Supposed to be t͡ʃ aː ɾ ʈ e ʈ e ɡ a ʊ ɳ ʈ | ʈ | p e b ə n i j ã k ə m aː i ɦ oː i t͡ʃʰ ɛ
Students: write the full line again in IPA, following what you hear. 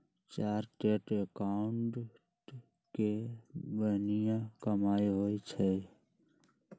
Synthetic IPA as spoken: t͡ʃ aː ɾ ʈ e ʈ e k a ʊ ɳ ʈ | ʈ | k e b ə n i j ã k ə m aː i ɦ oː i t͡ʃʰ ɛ